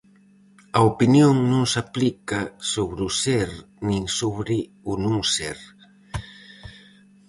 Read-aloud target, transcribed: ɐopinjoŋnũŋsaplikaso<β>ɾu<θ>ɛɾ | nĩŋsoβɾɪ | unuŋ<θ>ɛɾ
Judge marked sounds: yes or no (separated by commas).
yes, no, no